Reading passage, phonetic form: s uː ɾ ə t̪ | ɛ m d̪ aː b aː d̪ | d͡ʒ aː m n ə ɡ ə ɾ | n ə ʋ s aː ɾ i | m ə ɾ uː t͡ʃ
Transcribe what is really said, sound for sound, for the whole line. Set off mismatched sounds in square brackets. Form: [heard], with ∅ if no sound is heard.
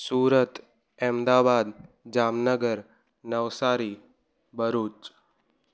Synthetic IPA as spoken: s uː ɾ ə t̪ | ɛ m d̪ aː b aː d̪ | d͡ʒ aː m n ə ɡ ə ɾ | n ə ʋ s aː ɾ i | [b] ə ɾ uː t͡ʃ